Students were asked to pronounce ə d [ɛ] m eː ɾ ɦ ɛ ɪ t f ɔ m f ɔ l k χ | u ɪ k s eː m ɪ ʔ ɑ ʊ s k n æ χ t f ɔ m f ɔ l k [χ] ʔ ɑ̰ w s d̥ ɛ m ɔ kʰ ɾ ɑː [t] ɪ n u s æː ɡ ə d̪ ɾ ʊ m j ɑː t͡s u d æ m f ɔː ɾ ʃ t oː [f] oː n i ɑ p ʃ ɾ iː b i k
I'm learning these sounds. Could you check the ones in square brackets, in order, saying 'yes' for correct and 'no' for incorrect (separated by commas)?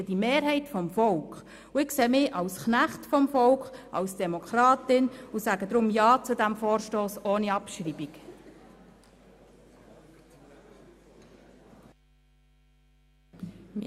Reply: no, yes, yes, no